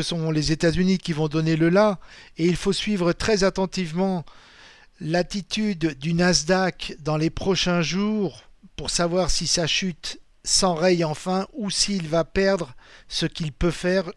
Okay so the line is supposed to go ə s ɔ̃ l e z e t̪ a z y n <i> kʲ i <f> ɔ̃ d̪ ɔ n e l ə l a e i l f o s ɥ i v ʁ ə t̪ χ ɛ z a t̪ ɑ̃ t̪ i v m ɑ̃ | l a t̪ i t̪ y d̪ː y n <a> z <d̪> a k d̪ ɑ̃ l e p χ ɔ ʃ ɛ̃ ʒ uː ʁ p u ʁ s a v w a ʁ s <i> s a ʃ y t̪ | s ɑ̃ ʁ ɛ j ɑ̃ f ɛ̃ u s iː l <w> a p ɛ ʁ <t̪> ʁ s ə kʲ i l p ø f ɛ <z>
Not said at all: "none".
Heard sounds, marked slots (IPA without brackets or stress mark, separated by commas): i, v, a, d̪, i, v, d̪, ʁ